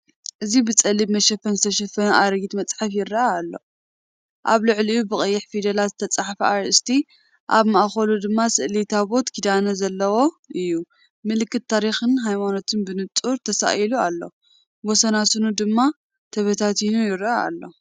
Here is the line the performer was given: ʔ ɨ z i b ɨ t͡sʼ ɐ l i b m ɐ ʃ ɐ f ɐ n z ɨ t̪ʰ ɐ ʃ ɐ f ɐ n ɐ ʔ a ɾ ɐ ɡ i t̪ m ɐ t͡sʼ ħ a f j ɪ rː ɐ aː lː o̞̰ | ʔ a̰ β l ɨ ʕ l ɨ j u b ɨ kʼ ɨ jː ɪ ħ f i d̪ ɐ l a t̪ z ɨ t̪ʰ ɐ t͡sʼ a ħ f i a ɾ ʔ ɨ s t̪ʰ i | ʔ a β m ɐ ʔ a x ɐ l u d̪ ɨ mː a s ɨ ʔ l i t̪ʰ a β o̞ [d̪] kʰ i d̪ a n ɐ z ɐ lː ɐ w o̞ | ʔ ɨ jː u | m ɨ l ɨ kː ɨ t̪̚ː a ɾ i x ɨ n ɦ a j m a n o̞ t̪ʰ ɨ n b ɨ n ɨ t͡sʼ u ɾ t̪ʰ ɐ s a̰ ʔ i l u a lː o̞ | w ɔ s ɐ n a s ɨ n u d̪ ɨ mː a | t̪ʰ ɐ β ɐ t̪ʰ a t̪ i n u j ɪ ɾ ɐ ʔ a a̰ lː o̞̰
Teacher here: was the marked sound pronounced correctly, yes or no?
no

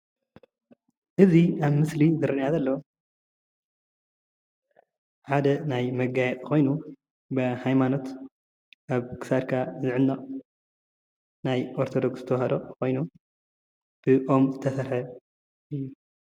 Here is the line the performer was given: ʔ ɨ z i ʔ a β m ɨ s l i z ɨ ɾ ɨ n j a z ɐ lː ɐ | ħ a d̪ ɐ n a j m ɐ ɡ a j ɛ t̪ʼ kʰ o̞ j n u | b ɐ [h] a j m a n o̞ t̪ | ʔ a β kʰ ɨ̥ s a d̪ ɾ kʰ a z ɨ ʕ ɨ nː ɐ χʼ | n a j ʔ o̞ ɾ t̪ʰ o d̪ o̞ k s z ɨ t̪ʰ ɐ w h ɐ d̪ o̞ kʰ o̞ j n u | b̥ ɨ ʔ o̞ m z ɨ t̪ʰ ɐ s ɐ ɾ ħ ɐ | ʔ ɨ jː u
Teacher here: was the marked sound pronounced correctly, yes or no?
yes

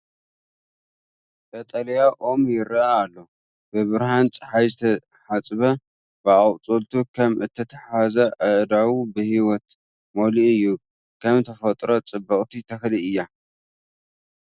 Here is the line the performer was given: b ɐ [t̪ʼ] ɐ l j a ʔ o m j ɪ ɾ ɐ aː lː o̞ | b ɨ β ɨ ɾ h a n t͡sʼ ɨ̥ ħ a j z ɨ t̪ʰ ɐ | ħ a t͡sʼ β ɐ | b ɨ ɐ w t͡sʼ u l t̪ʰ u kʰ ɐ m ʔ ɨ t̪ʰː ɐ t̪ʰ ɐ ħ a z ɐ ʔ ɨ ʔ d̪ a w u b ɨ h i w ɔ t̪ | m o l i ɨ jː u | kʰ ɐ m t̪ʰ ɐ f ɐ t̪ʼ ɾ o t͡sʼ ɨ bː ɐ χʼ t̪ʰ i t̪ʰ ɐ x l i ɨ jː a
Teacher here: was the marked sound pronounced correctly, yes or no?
yes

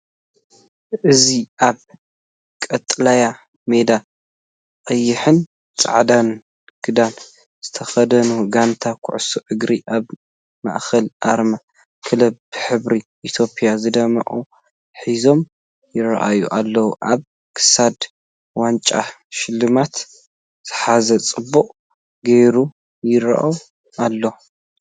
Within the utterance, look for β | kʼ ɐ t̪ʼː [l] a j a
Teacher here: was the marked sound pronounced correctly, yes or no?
yes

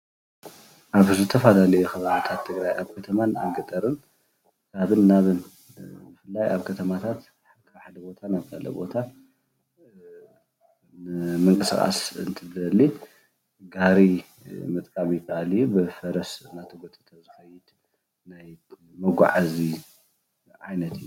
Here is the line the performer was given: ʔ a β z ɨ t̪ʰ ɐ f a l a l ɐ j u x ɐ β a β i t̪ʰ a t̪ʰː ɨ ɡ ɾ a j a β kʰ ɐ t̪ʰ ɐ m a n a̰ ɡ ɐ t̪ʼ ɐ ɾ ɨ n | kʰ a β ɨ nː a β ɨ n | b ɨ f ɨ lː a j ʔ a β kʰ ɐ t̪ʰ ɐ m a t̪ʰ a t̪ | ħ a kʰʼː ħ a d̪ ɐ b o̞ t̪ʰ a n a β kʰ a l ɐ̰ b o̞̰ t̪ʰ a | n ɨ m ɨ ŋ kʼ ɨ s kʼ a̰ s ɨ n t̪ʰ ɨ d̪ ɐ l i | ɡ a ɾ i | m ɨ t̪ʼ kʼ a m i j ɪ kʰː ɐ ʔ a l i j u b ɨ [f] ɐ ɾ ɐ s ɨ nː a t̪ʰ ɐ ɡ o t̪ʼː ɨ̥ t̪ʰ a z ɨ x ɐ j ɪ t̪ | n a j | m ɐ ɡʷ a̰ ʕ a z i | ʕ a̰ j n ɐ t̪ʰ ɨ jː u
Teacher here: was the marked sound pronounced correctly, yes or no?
yes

